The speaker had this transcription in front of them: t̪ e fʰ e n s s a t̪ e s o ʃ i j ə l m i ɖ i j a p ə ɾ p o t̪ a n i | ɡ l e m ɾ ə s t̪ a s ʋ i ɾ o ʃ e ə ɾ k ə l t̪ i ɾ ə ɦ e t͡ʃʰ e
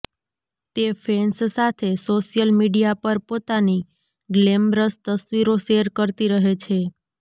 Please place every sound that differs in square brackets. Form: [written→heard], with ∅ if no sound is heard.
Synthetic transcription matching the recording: t̪ e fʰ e n s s a [t̪→t̪ʰ] e s o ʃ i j ə l m i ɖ i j a p ə ɾ p o t̪ a n i | ɡ l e m ɾ ə s t̪ [a→ə] s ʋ i ɾ o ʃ e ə ɾ k ə [l→ɾ] t̪ i ɾ ə ɦ e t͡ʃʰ e